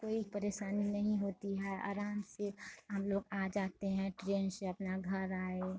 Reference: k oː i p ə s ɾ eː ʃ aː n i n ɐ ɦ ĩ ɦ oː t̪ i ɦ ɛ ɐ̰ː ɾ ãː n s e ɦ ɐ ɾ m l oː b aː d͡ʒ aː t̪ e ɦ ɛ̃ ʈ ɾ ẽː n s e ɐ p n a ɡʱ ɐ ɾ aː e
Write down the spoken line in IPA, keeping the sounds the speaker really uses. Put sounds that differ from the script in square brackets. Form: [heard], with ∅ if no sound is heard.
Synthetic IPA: k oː i p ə [∅] ɾ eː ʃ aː n i n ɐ ɦ ĩ ɦ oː t̪ i ɦ ɛ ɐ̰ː ɾ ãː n s e ɦ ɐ [∅] m l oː [ɡ] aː d͡ʒ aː t̪ e ɦ ɛ̃ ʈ ɾ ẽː n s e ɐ p n a ɡʱ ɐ ɾ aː e

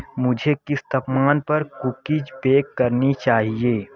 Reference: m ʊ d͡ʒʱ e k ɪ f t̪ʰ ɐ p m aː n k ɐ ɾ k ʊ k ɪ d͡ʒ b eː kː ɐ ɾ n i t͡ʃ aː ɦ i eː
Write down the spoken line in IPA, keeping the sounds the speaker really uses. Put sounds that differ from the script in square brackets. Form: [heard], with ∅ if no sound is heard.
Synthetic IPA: m ʊ d͡ʒʱ e k ɪ [s] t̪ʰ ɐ p m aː n [p] ɐ ɾ k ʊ k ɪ d͡ʒ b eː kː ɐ ɾ n i t͡ʃ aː ɦ i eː

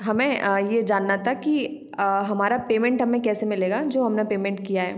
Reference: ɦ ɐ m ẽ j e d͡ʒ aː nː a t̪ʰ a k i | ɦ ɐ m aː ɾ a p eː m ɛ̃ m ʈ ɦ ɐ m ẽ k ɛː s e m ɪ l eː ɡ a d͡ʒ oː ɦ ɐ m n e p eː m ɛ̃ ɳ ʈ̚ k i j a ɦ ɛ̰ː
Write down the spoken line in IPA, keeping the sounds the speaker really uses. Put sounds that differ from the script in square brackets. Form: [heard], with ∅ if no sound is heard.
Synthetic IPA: ɦ ɐ m ẽ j e d͡ʒ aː nː a t̪ʰ a k i | ɦ ɐ m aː ɾ a p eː m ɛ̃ [ɳ] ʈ ɦ ɐ m ẽ k ɛː s e m ɪ l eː ɡ a d͡ʒ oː ɦ ɐ m n e p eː m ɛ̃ ɳ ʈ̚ k i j a ɦ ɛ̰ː

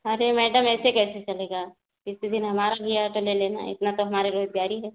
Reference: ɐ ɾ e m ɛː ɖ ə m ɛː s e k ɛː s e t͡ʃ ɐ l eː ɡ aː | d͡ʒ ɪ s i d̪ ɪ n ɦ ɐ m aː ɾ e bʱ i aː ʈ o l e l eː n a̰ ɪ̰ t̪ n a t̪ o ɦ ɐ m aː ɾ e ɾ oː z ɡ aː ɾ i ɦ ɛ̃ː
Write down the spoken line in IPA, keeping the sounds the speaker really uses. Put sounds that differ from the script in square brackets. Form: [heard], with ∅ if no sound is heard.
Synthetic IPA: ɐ ɾ e m ɛː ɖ ə m ɛː s e k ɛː s e t͡ʃ ɐ l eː ɡ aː | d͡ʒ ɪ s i d̪ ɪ n ɦ ɐ m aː ɾ [a] bʱ i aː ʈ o l e l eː n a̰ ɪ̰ t̪ n a t̪ o ɦ ɐ m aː ɾ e ɾ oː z ɡ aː ɾ i ɦ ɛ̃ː

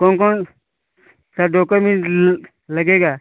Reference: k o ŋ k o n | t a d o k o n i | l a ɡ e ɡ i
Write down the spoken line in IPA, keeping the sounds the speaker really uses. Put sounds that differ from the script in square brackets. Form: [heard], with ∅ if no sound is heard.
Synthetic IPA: k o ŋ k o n | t a d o k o [m] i | l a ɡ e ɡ [a]

